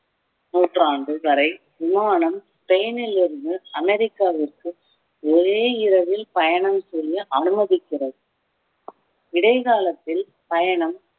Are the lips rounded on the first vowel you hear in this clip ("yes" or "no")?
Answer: yes